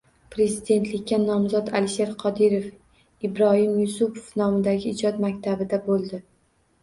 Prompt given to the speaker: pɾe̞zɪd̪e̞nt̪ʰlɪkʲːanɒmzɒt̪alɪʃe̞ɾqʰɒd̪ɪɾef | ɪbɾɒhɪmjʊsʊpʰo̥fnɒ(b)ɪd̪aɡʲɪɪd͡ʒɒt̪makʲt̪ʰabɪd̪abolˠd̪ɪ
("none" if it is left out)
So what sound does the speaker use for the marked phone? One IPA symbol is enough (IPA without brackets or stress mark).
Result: m